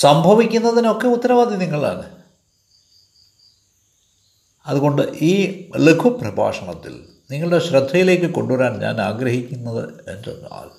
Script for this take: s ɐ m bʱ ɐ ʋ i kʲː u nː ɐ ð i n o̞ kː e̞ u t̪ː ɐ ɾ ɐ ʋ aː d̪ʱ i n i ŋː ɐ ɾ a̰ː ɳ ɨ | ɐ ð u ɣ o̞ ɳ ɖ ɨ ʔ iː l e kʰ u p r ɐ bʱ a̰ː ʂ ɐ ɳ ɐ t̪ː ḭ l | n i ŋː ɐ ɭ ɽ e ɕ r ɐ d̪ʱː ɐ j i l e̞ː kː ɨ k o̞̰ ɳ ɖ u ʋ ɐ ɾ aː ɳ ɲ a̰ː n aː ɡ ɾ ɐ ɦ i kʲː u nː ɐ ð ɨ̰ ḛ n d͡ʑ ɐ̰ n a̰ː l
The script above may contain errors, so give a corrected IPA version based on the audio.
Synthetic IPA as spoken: s ɐ m bʱ ɐ ʋ i kʲː u nː ɐ ð i n o̞ kː e̞ u t̪ː ɐ ɾ ɐ ʋ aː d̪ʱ i n i ŋː ɐ ɭ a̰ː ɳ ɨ | ɐ ð u ɣ o̞ ɳ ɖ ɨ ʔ iː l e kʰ u p r ɐ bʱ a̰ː ʂ ɐ ɳ ɐ t̪ː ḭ l | n i ŋː ɐ ɭ ɽ e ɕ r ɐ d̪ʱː ɐ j i l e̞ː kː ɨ k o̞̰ ɳ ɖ u ʋ ɐ ɾ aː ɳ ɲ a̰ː n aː ɡ ɾ ɐ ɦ i kʲː u nː ɐ ð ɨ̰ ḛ n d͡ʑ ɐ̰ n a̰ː l